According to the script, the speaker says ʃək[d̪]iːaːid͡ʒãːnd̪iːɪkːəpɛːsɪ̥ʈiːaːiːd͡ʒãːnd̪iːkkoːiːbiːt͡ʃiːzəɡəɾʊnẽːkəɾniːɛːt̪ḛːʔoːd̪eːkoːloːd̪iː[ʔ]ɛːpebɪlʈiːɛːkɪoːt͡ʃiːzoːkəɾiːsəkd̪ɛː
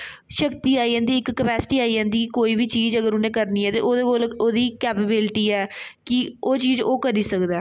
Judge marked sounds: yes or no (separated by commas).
no, no